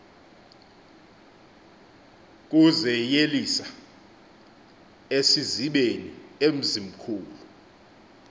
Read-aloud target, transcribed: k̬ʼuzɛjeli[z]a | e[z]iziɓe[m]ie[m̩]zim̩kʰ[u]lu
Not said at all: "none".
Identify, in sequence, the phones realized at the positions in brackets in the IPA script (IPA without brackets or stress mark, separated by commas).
s, s, n, m̩, uː